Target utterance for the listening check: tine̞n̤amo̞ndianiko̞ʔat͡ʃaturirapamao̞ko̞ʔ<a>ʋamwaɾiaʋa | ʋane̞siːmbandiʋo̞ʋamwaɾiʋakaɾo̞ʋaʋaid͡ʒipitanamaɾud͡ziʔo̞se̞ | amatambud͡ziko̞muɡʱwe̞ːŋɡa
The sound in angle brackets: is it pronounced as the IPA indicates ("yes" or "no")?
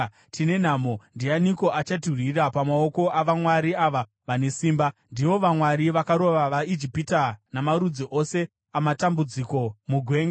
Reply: yes